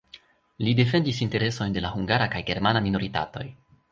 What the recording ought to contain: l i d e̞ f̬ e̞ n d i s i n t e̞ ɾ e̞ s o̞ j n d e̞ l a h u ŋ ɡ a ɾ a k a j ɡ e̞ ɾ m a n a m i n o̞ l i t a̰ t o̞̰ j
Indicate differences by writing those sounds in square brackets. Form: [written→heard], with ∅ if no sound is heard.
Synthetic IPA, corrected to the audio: l i d e̞ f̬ e̞ n d i s i n t e̞ ɾ e̞ s o̞ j n d e̞ l a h u ŋ ɡ a ɾ a k a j ɡ e̞ ɾ m a n a m i n o̞ [l→ɾ] i t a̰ t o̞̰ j